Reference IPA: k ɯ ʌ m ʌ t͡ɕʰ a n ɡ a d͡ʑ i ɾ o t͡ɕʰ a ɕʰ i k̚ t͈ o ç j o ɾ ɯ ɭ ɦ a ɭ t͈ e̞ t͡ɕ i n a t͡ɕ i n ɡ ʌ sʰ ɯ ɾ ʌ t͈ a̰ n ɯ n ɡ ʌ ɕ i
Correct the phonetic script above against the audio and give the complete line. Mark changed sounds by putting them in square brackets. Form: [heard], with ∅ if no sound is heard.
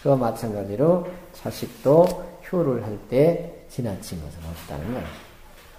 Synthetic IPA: k ɯ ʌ m [a] t͡ɕʰ a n ɡ a d͡ʑ i ɾ o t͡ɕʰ a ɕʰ i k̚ t͈ o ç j o ɾ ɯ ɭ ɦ a ɭ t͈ e̞ t͡ɕ i n a [t͡ɕʰ] i n ɡ ʌ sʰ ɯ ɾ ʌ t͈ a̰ n ɯ n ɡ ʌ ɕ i